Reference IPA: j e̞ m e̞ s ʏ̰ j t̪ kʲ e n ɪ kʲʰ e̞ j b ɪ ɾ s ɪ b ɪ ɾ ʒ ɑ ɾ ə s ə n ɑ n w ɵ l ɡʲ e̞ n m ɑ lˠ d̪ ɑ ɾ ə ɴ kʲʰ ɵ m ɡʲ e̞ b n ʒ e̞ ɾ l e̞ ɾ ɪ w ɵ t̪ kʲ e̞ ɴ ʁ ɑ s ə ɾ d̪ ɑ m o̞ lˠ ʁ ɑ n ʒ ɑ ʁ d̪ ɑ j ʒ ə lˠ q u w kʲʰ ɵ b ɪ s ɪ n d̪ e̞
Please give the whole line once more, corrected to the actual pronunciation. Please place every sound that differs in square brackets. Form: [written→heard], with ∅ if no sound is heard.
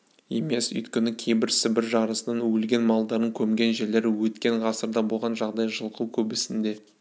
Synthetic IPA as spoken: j e̞ m e̞ s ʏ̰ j t̪ kʲ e n ɪ kʲʰ e̞ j b ɪ ɾ s ɪ b ɪ ɾ ʒ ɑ ɾ ə s ə n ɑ n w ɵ l ɡʲ e̞ n m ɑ lˠ d̪ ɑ ɾ ə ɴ kʲʰ ɵ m ɡʲ e̞ [b→∅] n ʒ e̞ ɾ l e̞ ɾ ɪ w ɵ t̪ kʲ e̞ ɴ ʁ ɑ s ə ɾ d̪ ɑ [m→b] o̞ lˠ ʁ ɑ n ʒ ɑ ʁ d̪ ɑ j ʒ ə lˠ q u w kʲʰ ɵ b ɪ s ɪ n d̪ e̞